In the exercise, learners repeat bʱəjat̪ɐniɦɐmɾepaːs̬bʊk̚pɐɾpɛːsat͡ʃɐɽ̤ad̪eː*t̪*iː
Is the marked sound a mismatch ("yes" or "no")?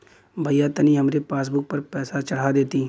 no